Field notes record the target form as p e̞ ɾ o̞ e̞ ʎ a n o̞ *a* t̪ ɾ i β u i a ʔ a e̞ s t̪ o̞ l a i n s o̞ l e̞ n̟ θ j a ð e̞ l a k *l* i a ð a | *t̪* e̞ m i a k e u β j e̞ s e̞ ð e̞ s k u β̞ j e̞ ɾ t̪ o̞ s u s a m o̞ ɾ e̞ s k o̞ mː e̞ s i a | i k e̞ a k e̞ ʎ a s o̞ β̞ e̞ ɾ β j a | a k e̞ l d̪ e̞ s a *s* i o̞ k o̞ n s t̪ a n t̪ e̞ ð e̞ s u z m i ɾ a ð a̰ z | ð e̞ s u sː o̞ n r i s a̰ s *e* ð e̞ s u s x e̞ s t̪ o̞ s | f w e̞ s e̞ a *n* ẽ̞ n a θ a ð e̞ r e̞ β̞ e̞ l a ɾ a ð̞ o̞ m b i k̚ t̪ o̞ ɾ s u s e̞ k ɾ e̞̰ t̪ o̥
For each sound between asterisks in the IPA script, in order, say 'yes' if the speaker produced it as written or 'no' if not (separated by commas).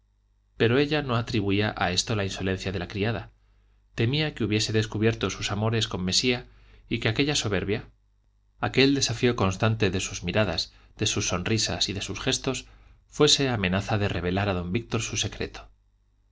yes, no, yes, no, no, no